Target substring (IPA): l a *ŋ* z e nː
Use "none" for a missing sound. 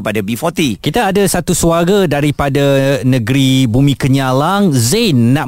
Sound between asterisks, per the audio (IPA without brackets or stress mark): ŋ